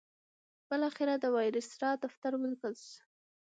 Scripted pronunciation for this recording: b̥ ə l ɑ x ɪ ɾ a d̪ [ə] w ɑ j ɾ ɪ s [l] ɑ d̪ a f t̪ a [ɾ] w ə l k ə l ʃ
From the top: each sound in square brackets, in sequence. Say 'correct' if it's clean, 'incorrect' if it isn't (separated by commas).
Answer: correct, incorrect, correct